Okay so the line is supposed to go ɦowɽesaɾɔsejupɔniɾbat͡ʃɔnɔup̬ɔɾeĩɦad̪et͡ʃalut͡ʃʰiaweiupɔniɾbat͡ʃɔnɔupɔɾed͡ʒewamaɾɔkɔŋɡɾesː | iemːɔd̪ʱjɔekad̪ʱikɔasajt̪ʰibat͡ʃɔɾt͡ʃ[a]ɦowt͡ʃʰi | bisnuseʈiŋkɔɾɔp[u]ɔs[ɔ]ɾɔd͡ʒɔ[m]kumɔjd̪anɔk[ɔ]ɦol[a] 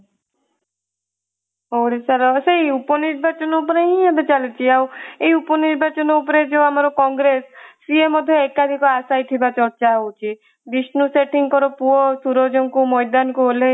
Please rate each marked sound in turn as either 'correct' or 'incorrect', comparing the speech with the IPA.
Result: correct, correct, incorrect: u, incorrect: ŋ, incorrect: u, incorrect: e

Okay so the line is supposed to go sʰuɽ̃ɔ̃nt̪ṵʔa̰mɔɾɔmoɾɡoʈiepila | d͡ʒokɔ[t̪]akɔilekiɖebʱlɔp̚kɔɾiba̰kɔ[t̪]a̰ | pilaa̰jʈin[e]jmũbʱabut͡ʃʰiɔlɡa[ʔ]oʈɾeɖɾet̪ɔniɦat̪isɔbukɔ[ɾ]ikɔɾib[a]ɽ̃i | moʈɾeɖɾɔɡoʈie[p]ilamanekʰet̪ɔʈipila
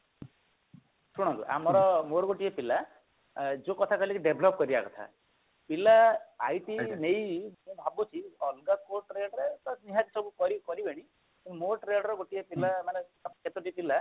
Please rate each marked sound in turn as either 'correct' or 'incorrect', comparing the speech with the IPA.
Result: incorrect: t̪ʰ, incorrect: t̪ʰ, correct, incorrect: k, correct, incorrect: e, correct

